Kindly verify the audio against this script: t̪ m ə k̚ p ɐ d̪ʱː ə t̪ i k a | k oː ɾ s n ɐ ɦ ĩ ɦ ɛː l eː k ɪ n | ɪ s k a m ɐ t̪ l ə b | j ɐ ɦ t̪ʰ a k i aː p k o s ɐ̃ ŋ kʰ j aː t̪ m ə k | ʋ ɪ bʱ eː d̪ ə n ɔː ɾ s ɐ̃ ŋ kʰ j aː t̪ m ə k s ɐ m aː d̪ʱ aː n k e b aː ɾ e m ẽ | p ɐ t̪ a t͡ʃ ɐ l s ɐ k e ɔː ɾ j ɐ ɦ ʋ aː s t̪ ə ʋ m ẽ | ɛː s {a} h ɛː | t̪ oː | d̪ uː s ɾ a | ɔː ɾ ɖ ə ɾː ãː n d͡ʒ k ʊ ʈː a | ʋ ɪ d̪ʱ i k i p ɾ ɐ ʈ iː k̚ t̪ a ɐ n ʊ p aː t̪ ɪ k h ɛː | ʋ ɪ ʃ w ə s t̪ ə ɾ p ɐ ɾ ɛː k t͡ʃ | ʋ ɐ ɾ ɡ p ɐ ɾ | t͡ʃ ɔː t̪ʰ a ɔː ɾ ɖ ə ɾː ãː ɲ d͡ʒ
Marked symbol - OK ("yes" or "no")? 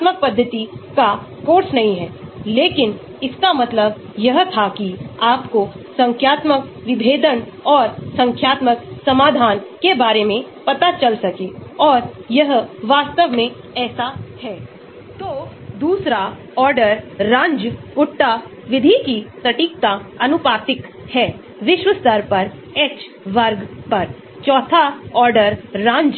yes